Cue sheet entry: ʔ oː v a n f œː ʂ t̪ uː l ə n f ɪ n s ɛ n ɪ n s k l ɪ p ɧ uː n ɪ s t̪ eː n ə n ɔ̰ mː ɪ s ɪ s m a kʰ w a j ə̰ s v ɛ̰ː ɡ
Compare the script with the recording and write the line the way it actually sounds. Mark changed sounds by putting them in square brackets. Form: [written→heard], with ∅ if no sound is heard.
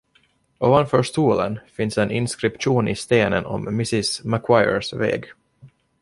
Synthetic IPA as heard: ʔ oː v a n f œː ʂ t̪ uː l ə n f ɪ n s ɛ n ɪ n s k [l→ɾ] ɪ p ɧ uː n ɪ s t̪ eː n ə n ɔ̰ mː ɪ s ɪ s m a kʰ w a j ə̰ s v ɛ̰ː ɡ